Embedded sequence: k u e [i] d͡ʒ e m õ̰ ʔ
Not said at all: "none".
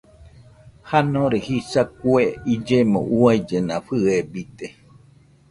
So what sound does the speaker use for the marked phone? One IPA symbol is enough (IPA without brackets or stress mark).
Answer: i